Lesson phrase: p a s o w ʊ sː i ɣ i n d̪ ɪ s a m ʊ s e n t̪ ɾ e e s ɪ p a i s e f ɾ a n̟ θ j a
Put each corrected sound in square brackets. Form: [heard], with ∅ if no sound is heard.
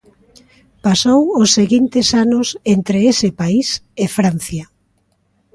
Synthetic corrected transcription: p a s o w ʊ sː [e] ɣ i n [t̪] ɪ s a [n] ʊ s e n t̪ ɾ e e s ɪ p a i s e f ɾ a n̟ θ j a